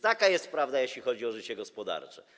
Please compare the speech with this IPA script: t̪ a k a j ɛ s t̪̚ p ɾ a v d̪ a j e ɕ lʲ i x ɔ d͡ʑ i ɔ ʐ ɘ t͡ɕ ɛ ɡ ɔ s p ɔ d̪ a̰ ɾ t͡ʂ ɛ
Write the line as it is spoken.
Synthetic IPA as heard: t̪ a k a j ɛ s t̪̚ p ɾ a v d̪ a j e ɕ lʲ i x ɔ d͡ʑ i ɔ ʐ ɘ t͡ɕ ɛ ɡ ɔ s p ɔ d̪ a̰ ɾ t͡ʂ ɛ